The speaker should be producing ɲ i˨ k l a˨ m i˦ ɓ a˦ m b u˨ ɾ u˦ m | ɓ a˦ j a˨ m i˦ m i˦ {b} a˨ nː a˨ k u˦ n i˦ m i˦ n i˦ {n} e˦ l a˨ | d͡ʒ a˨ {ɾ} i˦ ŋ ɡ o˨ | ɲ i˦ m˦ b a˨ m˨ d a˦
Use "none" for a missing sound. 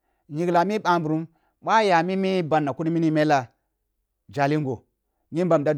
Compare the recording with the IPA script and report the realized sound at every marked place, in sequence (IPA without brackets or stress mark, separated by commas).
b, m, l